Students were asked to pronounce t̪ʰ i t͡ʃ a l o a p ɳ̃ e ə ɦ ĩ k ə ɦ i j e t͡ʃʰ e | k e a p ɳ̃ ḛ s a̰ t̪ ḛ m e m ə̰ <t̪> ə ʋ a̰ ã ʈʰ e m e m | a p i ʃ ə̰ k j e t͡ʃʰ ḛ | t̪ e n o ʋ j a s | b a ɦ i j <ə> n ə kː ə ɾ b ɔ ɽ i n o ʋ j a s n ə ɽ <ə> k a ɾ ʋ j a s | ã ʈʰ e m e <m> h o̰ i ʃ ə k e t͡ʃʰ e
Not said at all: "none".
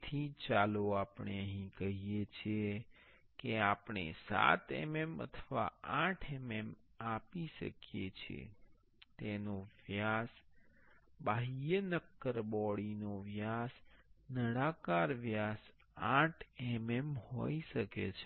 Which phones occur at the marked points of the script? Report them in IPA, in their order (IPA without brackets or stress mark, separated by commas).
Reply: t̪ʰ, ə, a, m